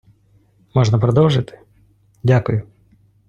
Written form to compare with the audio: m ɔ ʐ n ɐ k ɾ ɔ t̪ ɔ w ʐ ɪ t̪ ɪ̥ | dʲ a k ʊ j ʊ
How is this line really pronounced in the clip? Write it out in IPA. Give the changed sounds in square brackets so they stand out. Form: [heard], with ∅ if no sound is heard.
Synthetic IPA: m ɔ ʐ n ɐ [p] ɾ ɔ [d̪] ɔ w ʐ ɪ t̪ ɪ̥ | dʲ a k ʊ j ʊ